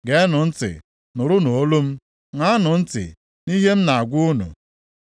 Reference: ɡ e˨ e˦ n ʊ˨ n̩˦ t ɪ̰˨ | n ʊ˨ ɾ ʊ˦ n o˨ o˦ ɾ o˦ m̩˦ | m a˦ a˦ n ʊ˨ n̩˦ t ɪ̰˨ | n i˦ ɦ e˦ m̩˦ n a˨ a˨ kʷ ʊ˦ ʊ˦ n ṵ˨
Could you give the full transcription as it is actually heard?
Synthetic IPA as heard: ɡ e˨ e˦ n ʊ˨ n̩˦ t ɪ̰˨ | n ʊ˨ ɾ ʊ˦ n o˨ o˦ l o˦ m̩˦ | ŋ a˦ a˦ n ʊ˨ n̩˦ t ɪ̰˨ | n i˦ ɦ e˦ m̩˦ n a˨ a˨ ɡʷ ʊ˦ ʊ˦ n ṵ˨